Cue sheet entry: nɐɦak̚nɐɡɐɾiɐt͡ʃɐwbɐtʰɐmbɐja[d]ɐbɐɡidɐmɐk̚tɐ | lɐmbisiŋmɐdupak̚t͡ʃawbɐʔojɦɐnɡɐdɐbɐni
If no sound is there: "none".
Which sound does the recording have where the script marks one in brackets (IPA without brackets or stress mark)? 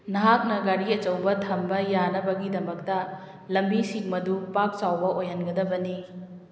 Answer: n